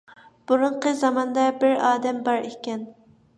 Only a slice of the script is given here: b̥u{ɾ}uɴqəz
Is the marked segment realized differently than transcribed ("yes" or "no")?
no